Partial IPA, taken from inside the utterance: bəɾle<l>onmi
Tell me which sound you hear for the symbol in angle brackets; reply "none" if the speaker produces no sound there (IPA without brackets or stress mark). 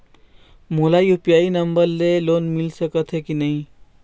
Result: l